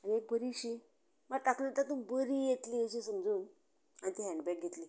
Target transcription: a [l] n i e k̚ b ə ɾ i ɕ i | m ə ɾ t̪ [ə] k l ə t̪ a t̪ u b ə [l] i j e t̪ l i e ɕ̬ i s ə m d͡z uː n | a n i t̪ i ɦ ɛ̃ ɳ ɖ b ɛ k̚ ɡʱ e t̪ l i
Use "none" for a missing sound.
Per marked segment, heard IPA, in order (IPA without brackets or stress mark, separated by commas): none, a, ɾ